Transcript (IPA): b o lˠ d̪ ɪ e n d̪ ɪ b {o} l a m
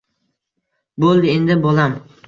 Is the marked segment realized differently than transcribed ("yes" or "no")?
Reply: no